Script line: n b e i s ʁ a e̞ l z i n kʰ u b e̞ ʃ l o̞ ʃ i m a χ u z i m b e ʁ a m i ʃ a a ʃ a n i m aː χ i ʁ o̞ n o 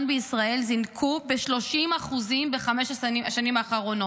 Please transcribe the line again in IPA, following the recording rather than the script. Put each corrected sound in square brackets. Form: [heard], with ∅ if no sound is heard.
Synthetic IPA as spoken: n b e i s ʁ a e̞ l z i n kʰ u b e̞ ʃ l o̞ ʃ i m a χ u z i m b e [χ] a m [e] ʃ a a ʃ a n i m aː χ [a] ʁ o̞ n o